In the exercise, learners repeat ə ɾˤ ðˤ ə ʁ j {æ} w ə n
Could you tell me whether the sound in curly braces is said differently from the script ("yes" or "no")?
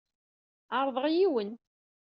yes